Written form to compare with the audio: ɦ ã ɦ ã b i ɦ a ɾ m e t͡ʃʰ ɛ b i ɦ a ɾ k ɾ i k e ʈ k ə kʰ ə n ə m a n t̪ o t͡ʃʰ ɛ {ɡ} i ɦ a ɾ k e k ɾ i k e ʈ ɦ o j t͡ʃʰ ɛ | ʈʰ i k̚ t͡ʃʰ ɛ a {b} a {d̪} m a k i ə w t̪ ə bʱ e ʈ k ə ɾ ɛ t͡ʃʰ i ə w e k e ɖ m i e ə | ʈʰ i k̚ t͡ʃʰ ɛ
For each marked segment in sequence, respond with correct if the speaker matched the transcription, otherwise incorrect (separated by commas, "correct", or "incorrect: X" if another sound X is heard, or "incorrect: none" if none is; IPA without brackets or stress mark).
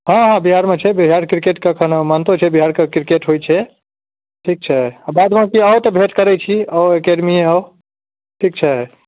incorrect: b, correct, correct